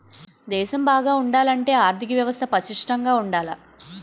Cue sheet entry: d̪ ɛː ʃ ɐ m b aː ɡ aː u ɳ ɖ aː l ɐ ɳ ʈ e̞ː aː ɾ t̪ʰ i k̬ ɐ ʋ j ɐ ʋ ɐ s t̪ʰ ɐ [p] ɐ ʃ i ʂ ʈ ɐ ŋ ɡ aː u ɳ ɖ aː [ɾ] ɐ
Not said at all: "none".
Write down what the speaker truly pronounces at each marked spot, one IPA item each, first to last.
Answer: p, l

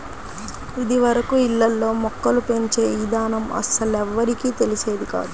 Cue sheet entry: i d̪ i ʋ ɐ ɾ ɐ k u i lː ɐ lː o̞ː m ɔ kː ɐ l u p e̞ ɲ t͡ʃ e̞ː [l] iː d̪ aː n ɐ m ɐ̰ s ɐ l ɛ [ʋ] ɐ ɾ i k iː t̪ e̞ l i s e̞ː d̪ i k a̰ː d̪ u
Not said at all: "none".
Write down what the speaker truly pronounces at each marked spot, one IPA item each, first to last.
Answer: none, ʋː

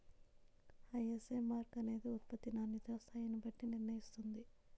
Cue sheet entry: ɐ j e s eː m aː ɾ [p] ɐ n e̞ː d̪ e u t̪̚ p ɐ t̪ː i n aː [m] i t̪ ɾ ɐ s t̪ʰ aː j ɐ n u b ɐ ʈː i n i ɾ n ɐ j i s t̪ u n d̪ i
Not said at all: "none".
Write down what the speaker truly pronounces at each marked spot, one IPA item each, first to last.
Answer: k, n

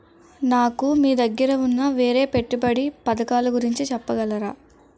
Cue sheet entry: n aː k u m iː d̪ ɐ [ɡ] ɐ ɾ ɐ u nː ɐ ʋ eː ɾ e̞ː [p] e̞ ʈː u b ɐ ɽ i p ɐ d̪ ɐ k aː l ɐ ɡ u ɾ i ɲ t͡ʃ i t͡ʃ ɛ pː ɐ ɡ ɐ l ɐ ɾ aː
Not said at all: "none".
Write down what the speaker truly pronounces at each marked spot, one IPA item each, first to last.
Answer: ɡː, p

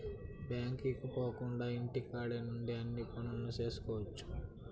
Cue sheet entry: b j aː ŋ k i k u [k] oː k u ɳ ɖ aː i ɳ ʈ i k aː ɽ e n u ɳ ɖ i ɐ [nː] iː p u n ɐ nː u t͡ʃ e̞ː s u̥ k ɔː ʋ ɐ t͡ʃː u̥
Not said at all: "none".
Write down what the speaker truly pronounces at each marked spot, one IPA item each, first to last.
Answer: p, nː

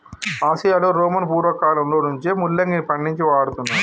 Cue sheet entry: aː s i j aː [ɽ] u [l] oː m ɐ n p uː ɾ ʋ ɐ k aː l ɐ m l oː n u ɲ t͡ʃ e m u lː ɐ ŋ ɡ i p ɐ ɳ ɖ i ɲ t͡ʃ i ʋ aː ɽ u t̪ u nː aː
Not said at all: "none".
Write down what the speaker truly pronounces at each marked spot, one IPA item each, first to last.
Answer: l, ɾ

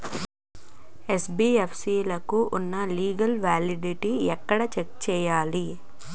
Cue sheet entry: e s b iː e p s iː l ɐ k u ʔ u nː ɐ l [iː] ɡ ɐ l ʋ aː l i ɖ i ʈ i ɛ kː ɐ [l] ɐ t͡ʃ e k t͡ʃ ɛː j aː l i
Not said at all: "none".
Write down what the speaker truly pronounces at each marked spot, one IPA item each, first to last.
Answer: iː, ɽ

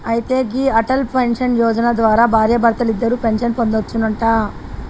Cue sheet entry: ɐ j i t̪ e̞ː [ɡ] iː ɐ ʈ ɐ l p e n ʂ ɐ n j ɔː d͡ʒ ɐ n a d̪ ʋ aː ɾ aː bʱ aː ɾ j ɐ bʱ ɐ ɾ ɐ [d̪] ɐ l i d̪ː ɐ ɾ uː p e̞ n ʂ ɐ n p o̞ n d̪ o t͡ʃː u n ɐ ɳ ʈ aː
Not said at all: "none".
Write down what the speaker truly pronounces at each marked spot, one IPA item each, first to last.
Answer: ɡ, t̪

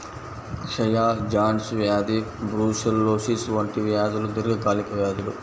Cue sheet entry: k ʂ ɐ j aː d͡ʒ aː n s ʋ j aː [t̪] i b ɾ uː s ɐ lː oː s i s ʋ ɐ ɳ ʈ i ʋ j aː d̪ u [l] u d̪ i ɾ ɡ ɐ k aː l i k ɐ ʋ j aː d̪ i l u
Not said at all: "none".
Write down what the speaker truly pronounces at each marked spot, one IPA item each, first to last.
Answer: d̪, l

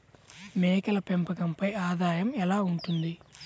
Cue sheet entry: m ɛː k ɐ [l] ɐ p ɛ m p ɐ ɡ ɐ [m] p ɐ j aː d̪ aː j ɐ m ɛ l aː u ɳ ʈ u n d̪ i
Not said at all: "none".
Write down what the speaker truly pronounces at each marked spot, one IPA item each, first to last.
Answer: l, m

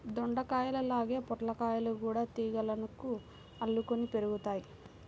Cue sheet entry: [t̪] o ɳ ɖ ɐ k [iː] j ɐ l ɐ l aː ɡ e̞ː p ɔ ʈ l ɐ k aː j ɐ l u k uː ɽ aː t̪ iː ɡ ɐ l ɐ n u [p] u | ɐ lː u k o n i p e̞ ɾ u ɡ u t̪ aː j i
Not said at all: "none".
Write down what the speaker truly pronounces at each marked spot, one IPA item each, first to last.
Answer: d̪, aː, k

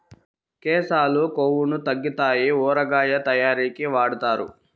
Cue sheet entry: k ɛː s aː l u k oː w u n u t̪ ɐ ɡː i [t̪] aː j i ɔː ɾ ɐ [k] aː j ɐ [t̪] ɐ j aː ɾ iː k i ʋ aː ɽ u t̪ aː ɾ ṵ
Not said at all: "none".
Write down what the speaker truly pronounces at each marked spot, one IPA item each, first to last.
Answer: t̪, ɡ, t̪

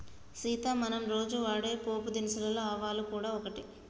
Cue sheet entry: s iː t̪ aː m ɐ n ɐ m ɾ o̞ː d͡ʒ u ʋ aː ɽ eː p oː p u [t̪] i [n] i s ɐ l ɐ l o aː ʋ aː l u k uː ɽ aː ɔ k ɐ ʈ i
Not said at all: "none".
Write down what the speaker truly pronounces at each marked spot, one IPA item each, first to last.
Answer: d̪, n

